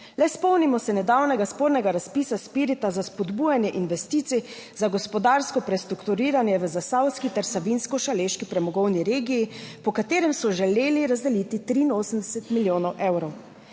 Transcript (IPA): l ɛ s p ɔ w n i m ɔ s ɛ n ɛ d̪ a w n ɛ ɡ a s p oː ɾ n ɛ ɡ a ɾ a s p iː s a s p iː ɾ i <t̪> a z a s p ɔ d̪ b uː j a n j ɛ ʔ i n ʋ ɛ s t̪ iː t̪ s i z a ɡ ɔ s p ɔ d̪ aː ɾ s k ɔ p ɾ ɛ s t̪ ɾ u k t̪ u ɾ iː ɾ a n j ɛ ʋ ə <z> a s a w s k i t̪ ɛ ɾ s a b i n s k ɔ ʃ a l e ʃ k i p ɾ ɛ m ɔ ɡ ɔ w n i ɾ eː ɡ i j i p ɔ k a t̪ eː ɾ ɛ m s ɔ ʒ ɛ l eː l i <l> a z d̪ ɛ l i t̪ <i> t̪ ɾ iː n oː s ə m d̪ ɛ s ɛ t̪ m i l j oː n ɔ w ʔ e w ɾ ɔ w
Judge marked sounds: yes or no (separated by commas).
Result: yes, yes, no, yes